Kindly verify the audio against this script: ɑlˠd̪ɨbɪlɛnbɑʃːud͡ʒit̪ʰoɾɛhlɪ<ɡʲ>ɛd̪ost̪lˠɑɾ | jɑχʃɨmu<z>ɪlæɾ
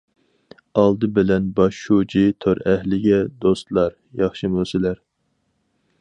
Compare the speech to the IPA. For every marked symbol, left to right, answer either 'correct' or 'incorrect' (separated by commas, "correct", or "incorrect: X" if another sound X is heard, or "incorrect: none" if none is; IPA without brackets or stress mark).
correct, incorrect: s